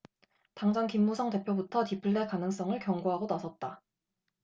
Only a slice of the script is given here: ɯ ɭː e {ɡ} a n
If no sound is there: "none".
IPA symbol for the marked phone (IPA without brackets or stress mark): k